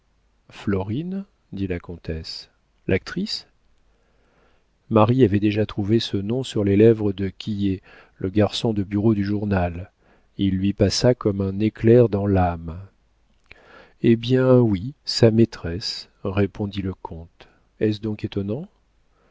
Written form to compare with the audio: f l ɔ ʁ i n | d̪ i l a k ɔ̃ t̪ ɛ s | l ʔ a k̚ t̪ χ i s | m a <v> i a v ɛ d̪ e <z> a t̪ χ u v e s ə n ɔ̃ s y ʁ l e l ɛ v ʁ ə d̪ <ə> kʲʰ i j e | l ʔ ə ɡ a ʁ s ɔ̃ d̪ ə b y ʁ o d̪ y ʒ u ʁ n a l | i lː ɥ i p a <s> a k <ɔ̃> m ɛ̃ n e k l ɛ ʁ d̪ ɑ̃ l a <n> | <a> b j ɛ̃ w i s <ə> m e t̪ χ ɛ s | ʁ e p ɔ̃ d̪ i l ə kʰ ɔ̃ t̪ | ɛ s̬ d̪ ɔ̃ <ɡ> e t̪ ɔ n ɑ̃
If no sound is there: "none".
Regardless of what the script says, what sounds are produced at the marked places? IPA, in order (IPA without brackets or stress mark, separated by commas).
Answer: ʁ, ʒ, ə, s, ɔ, m, e, a, k